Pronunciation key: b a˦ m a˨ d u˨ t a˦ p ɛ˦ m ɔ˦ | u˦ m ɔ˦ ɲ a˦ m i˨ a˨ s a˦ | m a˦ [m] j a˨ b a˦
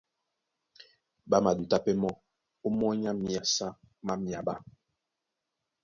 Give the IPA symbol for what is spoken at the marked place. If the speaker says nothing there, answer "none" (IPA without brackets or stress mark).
m